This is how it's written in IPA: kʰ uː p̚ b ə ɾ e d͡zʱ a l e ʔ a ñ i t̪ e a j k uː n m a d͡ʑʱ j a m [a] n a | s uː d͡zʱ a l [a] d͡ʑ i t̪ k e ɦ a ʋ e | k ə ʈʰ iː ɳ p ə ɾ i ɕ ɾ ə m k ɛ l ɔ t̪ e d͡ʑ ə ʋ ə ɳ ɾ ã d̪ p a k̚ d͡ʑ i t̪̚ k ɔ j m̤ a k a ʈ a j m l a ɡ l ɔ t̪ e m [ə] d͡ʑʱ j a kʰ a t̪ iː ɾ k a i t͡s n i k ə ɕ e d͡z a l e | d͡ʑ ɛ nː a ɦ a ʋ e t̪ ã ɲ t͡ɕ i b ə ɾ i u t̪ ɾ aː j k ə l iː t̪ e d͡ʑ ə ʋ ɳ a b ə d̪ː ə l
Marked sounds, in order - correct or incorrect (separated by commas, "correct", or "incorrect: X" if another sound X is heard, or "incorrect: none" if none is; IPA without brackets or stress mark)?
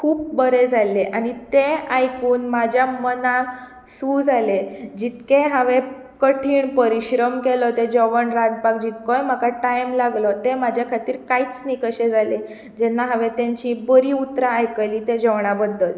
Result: incorrect: ə, incorrect: e, incorrect: a